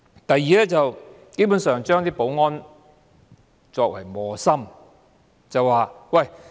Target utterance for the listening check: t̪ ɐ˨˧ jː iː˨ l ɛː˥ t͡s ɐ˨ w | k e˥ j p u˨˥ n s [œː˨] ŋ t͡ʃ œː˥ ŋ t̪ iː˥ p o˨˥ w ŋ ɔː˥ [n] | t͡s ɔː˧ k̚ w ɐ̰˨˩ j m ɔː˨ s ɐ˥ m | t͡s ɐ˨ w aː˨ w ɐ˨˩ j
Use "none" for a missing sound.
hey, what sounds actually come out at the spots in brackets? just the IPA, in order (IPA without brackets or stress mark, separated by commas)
œː˨, n